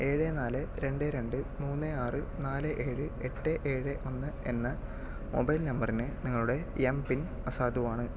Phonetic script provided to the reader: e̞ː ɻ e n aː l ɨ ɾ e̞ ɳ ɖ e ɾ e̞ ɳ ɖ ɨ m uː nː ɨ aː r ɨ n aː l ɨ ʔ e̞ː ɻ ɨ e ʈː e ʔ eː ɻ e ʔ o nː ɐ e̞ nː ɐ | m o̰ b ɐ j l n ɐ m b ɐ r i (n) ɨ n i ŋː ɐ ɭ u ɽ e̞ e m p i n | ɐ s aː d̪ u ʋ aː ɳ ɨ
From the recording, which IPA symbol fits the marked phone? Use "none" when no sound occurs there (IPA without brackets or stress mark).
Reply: n